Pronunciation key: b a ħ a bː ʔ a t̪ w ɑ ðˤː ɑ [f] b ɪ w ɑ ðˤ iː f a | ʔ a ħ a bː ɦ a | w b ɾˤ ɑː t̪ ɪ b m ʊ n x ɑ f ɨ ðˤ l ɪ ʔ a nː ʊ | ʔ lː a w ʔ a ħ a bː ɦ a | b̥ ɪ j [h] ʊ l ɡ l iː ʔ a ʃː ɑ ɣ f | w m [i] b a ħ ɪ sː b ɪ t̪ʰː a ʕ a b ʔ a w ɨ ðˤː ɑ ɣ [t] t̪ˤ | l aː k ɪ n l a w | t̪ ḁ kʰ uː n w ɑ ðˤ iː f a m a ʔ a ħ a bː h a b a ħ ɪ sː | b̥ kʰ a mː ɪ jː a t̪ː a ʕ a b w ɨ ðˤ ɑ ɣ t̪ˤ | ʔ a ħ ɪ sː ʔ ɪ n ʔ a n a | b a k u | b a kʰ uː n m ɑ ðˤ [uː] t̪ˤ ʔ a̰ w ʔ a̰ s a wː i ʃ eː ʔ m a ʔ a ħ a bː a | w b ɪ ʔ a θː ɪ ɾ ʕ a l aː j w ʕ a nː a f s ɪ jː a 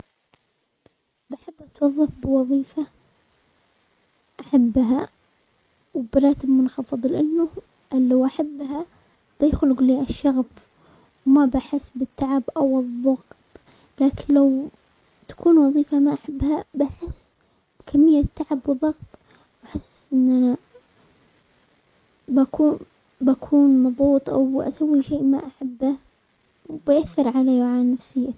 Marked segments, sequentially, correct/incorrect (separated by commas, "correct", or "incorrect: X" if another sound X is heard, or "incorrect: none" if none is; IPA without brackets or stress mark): correct, incorrect: x, incorrect: a, correct, correct